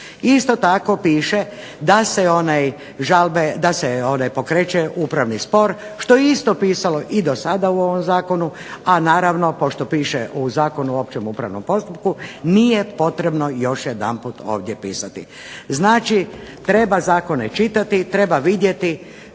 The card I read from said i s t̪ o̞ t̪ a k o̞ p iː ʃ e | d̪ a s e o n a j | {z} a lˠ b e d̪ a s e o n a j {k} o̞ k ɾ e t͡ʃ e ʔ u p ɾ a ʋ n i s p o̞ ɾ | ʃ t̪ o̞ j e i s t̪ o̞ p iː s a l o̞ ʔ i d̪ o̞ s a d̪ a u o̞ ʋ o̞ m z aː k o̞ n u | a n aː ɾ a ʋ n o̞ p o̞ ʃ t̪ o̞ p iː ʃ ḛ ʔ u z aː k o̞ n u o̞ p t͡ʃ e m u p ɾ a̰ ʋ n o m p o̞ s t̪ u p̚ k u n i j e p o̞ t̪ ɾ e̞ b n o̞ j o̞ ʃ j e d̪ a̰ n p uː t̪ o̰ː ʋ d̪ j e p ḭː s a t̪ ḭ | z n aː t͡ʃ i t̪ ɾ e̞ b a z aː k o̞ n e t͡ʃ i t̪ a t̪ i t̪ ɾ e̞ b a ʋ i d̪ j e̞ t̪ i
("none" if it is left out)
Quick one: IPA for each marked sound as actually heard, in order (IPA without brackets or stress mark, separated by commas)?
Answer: ʒ, p